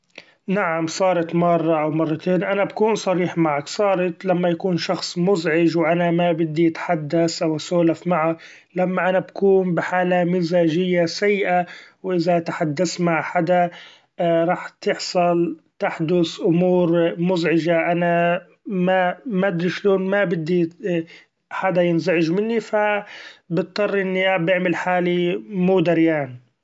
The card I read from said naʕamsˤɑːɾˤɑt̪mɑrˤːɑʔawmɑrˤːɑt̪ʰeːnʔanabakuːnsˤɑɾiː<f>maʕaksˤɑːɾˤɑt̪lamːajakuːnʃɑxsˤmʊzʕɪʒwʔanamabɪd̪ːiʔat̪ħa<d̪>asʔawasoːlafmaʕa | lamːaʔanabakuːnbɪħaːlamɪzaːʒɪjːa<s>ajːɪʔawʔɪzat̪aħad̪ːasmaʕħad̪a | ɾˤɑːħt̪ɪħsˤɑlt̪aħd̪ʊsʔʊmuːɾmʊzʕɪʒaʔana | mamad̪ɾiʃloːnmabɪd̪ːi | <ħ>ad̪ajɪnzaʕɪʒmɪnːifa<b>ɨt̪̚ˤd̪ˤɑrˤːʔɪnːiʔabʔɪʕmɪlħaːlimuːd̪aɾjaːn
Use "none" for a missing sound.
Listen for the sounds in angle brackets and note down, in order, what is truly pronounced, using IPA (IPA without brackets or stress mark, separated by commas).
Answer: ħ, d̪ː, s, ħ, b